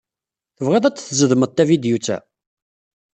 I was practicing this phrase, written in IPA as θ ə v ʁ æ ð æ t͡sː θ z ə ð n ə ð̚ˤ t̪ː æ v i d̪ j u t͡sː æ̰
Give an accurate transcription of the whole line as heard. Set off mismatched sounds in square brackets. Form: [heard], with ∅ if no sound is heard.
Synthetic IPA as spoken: θ ə v ʁ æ ð æ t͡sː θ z ə ð [m] ə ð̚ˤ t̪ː æ v i d̪ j u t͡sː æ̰

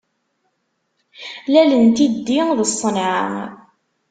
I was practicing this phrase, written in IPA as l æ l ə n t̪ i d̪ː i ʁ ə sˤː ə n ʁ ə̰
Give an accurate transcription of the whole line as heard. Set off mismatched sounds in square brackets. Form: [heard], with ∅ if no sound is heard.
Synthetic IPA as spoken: l æ l ə n t̪ i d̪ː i [ð] ə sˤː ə n [ʕ] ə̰

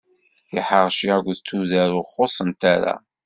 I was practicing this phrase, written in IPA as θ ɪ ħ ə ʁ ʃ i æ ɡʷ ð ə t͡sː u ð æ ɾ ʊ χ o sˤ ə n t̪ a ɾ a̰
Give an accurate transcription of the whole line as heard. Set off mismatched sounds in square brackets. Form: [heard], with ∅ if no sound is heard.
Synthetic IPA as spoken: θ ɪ ħ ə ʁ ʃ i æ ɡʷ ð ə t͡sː u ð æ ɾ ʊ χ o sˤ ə n t̪ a ɾ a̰

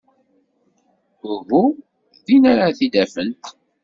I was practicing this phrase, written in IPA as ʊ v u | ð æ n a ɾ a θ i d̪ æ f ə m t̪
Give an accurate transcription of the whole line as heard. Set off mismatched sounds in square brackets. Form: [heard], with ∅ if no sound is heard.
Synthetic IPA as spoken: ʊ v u | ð [i] n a ɾ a θ i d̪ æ f ə [n] t̪

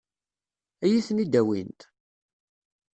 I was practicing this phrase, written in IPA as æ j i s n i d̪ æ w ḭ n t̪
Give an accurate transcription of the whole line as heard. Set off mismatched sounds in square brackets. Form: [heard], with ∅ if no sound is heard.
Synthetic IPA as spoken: æ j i [θ] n i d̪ æ w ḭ n t̪

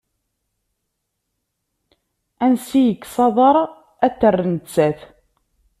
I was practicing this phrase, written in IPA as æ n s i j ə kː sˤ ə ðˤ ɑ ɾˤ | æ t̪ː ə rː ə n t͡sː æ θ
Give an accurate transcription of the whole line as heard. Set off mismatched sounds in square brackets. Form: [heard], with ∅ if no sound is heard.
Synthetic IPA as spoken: æ n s i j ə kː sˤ [ɑ] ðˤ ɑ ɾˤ | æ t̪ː ə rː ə n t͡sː æ θ

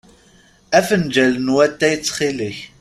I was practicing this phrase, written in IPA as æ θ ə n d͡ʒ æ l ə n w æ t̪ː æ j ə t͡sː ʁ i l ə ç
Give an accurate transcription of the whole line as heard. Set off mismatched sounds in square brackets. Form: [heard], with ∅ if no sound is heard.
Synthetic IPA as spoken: æ [f] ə n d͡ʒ æ l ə n w æ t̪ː æ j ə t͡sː [χ] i l ə ç

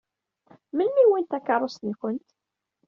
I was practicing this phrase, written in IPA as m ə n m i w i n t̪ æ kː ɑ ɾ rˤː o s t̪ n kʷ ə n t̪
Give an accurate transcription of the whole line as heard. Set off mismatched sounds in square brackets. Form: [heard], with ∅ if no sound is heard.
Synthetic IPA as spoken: m ə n m i w i n t̪ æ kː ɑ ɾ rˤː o s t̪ n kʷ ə n t̪

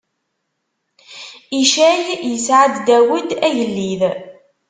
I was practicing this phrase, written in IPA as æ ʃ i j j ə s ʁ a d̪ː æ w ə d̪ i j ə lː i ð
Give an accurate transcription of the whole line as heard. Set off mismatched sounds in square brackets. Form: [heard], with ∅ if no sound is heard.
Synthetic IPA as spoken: [i] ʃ [æ] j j ə s [ʕ] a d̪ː æ w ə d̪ [æ] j ə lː i ð

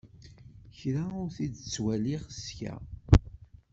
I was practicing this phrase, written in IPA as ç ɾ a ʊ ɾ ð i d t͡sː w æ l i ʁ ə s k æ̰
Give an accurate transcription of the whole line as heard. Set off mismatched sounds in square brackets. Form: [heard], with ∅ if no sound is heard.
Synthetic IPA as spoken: ç ɾ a ʊ ɾ [θ] i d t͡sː w æ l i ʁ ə s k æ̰

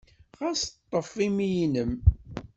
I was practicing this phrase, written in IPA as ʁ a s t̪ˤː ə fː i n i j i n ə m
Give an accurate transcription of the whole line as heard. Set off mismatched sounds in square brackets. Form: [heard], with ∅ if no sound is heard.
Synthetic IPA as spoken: ʁ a s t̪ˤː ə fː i [m] i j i n ə m

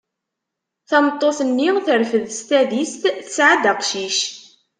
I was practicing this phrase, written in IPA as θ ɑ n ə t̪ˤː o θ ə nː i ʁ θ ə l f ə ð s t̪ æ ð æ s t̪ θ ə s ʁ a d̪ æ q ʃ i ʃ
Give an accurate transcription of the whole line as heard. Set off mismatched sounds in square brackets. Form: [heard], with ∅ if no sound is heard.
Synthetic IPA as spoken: θ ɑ [m] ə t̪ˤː o θ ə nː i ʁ θ ə [ɾ] f ə ð s t̪ æ ð [i] s t̪ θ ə s [ʕ] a d̪ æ q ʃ i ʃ

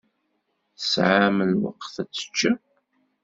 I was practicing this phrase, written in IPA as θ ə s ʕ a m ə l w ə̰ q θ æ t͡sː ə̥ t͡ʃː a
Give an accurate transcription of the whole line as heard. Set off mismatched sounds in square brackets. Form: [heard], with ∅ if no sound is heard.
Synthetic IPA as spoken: θ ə s ʕ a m ə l w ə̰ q θ æ t͡sː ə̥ t͡ʃː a

